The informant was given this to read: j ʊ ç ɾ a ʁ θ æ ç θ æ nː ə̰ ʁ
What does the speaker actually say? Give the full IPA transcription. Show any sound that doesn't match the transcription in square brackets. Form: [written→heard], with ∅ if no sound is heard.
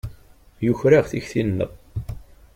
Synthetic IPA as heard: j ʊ ç ɾ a ʁ θ [æ→i] ç θ [æ→i] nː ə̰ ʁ